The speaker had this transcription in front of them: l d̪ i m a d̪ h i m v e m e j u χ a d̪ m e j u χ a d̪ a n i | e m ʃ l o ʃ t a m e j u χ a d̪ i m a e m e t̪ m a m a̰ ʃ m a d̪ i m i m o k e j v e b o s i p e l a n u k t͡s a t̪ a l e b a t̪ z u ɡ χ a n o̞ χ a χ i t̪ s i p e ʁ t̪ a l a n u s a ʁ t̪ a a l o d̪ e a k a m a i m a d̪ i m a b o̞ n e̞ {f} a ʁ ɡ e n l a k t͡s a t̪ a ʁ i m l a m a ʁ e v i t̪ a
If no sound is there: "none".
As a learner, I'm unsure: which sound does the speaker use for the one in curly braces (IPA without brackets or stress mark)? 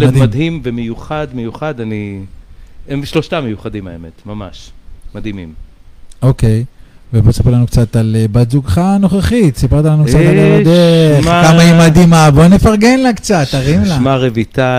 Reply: f